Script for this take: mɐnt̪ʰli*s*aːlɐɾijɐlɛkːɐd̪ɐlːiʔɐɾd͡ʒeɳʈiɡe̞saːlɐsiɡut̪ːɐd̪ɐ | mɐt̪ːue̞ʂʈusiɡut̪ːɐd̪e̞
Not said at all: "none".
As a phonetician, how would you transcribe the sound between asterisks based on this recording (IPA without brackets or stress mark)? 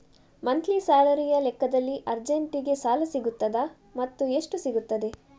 s